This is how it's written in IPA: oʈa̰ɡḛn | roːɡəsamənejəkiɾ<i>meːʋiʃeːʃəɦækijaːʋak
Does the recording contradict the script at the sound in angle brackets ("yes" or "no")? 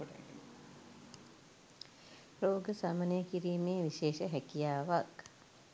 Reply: yes